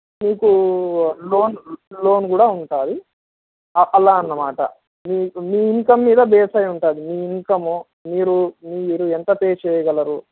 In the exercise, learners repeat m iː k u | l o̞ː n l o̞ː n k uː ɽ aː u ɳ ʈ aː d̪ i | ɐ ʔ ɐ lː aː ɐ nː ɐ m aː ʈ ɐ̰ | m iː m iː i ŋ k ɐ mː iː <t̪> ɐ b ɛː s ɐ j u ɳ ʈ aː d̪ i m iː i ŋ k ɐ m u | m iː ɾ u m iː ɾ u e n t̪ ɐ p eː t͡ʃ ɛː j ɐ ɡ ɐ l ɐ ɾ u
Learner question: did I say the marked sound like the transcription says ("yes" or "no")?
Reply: no